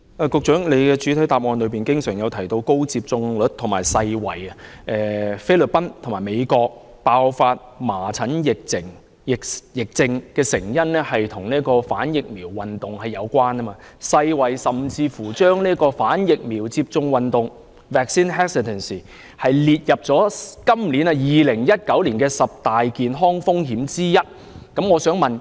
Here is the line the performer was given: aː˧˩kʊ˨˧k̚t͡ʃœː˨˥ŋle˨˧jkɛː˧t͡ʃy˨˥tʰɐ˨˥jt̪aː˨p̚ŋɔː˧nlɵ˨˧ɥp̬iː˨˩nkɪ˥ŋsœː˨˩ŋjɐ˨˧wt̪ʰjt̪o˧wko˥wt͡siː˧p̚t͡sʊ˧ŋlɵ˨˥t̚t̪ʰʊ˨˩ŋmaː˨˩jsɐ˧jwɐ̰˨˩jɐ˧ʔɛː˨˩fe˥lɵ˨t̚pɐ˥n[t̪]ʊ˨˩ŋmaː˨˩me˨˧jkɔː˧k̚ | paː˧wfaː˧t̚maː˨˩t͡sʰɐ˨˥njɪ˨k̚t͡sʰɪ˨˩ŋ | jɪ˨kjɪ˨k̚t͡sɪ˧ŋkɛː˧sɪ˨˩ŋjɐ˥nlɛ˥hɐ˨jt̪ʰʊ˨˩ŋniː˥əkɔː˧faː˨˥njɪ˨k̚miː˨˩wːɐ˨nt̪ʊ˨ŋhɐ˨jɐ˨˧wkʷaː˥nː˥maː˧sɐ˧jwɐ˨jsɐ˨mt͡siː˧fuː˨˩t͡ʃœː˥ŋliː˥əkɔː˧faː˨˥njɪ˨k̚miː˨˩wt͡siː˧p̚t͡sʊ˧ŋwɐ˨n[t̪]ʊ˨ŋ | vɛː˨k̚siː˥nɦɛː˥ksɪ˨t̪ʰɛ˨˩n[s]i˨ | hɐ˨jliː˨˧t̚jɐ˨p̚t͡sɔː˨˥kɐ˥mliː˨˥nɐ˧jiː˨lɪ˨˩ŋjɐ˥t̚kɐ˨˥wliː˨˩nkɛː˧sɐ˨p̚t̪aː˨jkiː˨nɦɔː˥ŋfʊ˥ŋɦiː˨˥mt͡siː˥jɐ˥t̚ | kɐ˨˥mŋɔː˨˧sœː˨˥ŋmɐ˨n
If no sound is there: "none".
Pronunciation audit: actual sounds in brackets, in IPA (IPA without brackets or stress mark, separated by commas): t̪ʰ, t̪, s